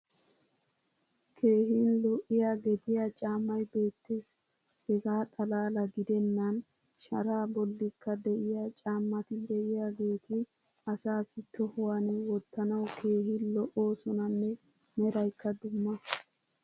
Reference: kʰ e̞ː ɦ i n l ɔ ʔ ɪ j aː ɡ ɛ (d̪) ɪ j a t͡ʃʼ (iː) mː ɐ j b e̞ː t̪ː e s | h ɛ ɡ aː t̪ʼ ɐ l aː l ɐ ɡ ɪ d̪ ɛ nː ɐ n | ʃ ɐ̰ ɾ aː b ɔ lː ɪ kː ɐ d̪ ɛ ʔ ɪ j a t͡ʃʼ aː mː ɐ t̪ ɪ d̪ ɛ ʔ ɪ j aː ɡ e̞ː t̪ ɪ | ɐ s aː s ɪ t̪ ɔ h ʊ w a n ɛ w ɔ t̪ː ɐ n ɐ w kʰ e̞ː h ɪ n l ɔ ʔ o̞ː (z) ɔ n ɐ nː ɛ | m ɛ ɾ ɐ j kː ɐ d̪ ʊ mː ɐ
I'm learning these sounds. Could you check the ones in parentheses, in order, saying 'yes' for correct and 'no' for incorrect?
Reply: no, no, no

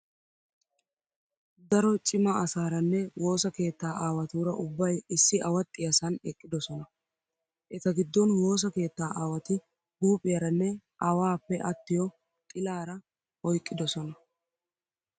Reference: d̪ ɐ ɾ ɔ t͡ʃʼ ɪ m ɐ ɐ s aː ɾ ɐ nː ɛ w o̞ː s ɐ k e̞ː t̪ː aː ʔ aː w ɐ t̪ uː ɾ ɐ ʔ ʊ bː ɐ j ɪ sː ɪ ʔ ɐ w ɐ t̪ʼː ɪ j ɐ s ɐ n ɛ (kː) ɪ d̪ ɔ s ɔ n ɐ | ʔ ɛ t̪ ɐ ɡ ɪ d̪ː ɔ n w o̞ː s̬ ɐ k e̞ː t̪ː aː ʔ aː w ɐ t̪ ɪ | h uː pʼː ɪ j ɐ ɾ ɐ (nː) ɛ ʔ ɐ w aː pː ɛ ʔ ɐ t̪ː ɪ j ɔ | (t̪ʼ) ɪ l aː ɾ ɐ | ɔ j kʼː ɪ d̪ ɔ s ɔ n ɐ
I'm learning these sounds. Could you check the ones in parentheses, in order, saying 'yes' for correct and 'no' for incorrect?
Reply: no, yes, yes

